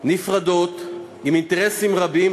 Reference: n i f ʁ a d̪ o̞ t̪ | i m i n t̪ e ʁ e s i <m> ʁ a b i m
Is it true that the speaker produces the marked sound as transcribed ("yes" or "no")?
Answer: yes